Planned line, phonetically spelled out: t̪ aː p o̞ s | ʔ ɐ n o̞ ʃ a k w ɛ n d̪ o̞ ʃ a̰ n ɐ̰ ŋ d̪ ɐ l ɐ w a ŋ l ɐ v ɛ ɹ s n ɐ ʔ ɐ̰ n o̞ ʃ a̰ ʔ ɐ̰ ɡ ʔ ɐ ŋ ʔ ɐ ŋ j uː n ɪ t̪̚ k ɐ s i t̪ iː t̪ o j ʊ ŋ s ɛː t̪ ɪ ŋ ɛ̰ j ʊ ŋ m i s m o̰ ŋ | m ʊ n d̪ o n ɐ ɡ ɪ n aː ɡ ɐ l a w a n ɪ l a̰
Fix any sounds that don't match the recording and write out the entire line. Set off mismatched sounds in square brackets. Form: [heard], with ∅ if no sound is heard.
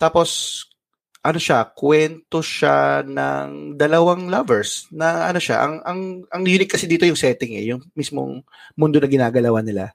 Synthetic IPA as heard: t̪ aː p o̞ s | ʔ ɐ n o̞ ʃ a k w ɛ n [t̪] o̞ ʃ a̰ n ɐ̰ ŋ d̪ ɐ l ɐ w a ŋ l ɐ v ɛ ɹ s n ɐ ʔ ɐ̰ n o̞ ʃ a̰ ʔ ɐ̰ [ŋ] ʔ ɐ ŋ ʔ ɐ ŋ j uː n ɪ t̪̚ k ɐ s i [d̪] iː t̪ o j ʊ ŋ s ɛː t̪ ɪ ŋ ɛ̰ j ʊ ŋ m i s m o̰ ŋ | m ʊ n d̪ o n ɐ ɡ ɪ n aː ɡ ɐ l [ɐ] w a n ɪ l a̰